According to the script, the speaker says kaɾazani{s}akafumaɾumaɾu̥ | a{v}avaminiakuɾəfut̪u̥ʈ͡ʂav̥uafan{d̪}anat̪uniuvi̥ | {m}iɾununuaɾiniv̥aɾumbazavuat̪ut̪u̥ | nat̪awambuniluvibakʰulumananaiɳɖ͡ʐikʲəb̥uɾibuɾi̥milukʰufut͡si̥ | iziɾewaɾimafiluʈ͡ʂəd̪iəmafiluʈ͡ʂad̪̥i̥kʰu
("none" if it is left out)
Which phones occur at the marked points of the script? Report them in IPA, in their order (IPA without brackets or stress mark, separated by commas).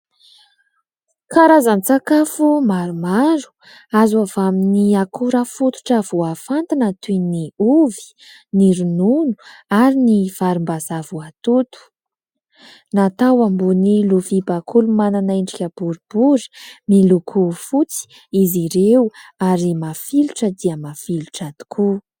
t͡s, z, t̪, n